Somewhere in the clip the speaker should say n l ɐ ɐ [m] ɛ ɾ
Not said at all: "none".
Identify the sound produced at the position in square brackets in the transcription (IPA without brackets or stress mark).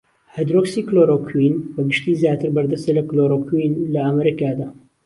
m